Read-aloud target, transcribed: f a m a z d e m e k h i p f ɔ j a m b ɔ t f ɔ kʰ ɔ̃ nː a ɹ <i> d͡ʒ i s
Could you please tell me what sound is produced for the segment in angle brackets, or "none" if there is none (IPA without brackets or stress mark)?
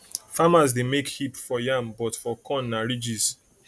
i